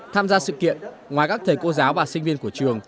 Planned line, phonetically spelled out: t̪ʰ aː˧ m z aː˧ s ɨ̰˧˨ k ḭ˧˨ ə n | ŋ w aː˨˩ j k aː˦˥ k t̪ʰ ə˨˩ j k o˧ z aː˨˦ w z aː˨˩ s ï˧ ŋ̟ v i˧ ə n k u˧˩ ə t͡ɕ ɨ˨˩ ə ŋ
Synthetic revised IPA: t̪ʰ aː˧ m z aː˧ s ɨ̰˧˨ k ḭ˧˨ ə n | ŋ w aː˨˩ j k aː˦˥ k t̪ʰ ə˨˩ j k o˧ z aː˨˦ w v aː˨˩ s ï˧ ŋ̟ v i˧ ə n k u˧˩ ə t͡ɕ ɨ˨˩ ə ŋ